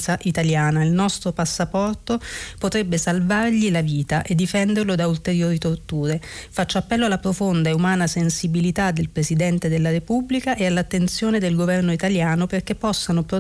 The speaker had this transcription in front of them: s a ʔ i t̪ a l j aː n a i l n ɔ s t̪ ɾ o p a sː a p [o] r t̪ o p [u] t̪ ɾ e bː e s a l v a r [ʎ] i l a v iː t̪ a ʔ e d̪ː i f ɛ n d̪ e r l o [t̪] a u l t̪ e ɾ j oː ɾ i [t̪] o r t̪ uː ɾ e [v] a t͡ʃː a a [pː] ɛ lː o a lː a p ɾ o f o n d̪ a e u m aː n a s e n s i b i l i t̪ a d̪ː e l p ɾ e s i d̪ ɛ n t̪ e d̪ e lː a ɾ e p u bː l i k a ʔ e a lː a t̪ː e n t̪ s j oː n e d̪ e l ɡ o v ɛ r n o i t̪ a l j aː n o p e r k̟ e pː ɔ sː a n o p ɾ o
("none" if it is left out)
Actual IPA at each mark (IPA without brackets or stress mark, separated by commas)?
ɔ, o, ʎ, d̪, t̪, f, pː